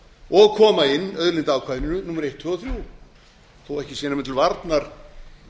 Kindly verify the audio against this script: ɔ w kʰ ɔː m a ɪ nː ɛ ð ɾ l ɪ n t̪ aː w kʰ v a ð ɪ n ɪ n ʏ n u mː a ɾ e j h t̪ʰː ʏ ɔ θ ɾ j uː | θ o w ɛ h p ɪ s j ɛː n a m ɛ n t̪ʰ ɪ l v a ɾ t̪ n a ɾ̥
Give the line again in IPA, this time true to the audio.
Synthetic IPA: ɔ ɣ kʰ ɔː m a ɪ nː œ ð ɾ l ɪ n t̪ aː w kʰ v a ð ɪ n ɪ n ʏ n u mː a ɾ e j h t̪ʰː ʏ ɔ θ ɾ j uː | θ o w ɛ h c ɪ s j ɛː n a m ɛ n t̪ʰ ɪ l v a ɾ t̪ n a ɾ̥